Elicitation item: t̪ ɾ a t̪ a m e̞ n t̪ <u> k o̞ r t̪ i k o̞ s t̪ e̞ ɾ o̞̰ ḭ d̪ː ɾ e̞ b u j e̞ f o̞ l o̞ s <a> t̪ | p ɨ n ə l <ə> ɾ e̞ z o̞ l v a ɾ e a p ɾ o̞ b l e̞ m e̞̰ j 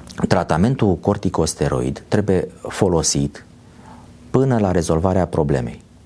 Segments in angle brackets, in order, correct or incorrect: correct, incorrect: i, incorrect: a

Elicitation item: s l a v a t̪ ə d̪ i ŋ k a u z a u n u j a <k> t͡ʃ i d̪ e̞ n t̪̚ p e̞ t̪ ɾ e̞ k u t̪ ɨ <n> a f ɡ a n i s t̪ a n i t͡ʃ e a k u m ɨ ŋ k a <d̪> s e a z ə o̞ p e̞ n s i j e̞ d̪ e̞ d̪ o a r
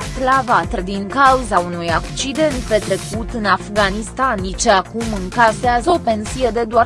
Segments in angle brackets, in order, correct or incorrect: correct, correct, incorrect: none

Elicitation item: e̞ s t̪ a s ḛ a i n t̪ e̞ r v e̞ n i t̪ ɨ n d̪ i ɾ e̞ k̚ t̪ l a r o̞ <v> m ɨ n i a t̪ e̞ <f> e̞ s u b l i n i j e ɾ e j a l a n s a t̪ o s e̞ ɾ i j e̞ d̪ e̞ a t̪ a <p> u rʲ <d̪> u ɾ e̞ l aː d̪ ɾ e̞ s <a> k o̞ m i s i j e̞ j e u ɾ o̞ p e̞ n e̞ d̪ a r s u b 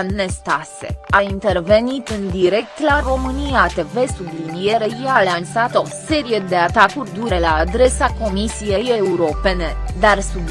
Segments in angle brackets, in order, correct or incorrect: incorrect: none, incorrect: v, incorrect: k, correct, correct

